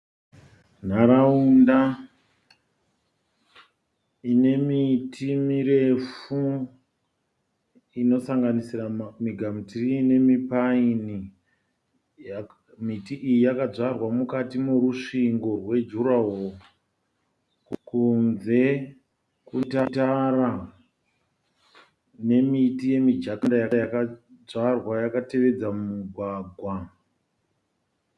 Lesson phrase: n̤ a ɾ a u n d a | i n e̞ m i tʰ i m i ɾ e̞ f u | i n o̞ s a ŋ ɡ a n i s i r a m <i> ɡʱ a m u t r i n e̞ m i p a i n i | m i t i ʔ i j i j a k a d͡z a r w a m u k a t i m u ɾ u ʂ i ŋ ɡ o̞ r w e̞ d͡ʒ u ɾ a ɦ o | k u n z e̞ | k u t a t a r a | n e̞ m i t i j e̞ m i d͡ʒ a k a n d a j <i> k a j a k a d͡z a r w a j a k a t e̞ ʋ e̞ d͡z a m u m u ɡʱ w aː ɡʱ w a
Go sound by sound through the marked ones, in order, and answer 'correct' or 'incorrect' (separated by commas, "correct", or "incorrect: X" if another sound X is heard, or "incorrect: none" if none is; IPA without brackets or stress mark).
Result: correct, incorrect: a